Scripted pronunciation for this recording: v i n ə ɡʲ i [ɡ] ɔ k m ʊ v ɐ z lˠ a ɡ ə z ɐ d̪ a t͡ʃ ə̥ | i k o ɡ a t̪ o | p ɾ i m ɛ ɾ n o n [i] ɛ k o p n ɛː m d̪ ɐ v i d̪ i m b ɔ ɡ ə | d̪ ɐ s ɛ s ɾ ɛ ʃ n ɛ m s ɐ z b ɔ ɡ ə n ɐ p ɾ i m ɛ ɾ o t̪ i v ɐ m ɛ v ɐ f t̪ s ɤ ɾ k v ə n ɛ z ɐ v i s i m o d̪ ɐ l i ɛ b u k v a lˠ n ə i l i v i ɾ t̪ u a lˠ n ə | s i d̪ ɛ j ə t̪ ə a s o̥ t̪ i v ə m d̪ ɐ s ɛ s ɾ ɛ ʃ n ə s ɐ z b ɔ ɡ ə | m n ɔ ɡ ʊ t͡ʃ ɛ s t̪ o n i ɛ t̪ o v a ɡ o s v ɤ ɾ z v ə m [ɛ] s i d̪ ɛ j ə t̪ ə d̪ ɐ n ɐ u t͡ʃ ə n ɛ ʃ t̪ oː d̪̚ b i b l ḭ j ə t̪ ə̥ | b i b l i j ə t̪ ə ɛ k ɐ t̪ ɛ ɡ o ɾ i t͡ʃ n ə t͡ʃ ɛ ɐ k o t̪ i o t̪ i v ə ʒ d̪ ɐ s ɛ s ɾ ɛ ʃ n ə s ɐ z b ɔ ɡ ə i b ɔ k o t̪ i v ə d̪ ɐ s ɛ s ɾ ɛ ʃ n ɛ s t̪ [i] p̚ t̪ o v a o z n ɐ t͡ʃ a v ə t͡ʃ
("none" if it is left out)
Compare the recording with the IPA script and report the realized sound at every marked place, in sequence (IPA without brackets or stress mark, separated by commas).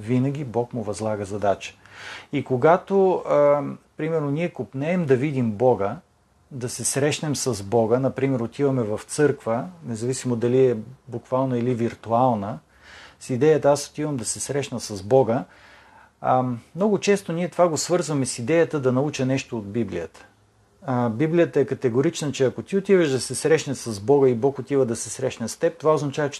b, i, ɛ, ɛ